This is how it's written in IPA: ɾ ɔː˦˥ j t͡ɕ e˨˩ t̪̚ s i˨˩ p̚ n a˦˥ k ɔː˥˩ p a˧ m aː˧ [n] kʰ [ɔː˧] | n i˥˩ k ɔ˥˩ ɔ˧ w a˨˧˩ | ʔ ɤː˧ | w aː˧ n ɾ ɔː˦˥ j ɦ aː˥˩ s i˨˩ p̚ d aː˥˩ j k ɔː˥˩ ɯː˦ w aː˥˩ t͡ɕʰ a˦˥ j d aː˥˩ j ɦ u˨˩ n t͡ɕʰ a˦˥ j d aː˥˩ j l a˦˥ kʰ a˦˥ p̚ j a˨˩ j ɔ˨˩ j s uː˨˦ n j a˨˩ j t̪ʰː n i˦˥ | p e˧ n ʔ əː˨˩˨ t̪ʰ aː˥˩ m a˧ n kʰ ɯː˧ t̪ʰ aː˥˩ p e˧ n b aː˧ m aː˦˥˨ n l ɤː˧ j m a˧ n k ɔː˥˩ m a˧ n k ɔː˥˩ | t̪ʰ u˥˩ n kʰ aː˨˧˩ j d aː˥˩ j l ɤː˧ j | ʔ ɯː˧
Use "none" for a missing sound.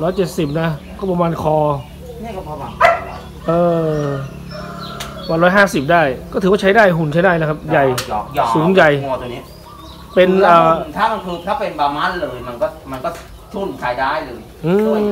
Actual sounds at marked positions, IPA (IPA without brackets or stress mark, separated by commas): n, ɔː˧